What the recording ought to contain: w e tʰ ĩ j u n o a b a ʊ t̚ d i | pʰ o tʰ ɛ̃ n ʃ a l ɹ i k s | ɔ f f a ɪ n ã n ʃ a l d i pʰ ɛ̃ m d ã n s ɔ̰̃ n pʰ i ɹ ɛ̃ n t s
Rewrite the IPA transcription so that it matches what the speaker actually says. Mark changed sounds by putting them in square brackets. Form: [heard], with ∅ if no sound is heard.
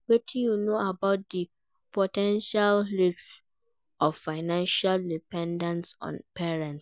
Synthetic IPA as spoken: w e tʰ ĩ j u n o a b a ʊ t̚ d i | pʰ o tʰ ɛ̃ n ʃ a l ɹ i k s | ɔ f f a ɪ n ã n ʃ a l d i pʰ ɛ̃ [n] d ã n s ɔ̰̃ n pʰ [ɛ] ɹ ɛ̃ n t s